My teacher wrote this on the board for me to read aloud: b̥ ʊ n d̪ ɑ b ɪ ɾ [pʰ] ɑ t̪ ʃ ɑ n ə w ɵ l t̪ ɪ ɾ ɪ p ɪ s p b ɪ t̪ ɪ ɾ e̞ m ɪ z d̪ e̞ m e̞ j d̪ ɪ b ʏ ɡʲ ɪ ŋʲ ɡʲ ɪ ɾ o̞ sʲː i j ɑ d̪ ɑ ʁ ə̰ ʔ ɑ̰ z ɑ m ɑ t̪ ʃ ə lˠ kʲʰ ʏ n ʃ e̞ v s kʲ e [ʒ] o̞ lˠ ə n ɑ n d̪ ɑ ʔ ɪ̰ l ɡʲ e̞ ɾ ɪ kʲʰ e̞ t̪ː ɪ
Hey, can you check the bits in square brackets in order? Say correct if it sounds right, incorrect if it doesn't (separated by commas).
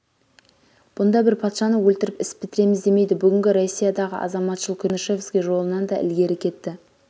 correct, correct